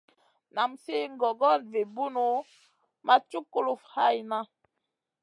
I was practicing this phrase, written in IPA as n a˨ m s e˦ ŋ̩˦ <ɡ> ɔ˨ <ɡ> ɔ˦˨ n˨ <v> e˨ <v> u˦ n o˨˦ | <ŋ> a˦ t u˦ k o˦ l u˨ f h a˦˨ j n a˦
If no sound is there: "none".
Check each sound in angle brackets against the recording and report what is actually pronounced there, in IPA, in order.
ɡ, ɡ, v, b, m

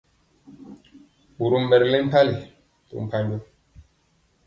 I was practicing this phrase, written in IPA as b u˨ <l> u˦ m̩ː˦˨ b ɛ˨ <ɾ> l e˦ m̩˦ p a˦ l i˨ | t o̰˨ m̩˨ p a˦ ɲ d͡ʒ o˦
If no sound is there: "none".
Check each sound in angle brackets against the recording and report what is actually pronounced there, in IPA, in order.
ɾ, ɾ

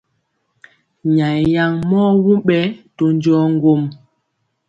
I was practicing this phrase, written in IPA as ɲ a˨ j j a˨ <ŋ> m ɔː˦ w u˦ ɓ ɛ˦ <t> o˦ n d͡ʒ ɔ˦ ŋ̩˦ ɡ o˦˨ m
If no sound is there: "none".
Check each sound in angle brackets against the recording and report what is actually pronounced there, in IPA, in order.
ŋ, t

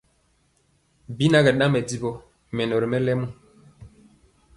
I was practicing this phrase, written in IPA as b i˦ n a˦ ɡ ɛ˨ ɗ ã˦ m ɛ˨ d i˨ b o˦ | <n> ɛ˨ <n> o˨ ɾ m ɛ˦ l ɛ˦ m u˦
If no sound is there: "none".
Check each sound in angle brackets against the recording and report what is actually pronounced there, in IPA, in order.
m, n

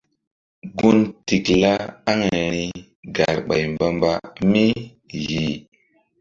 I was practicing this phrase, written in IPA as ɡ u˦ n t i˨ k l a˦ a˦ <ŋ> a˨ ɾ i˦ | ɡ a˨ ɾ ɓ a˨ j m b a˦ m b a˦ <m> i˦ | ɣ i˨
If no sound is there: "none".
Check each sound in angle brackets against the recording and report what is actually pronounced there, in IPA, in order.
ŋ, m

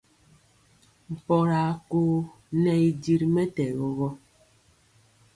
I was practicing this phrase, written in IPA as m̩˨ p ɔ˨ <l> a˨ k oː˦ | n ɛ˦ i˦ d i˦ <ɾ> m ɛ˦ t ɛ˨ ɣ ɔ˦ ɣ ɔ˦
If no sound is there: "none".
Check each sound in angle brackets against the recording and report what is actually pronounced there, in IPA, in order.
ɾ, ɾ

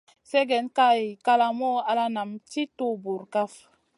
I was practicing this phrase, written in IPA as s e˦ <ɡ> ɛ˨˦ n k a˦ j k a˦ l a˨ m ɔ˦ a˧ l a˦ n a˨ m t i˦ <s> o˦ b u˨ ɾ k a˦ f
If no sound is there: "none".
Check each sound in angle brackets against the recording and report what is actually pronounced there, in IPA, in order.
ɡ, t

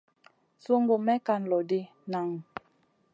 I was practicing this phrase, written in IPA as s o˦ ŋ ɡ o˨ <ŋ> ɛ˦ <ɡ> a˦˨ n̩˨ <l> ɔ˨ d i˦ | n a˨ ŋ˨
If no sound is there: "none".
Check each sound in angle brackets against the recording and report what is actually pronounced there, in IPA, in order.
m, k, l

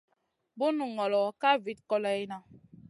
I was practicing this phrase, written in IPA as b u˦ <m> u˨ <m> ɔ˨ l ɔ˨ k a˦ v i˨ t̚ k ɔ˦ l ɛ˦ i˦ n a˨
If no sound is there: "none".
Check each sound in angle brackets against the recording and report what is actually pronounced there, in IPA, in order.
n, ŋ

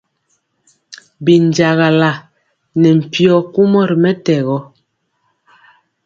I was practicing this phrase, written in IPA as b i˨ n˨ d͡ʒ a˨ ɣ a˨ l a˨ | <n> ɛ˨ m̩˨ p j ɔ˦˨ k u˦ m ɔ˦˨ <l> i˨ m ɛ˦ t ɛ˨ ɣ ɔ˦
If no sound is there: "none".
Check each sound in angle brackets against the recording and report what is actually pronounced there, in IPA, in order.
n, ɾ

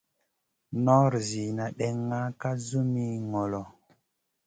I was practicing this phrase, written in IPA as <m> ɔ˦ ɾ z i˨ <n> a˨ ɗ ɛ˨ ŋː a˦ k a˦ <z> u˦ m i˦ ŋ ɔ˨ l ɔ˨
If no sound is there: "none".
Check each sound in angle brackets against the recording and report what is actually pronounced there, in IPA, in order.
n, n, z

